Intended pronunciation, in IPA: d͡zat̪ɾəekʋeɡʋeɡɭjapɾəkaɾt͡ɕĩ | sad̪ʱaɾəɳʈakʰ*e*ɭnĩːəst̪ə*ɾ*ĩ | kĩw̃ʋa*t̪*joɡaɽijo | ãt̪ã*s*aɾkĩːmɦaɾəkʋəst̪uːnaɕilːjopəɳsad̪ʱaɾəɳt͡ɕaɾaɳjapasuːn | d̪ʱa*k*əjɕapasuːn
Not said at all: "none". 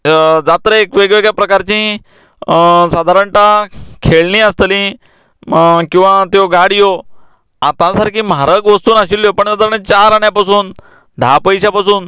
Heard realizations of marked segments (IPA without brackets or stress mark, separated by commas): e, l, t̪, s, p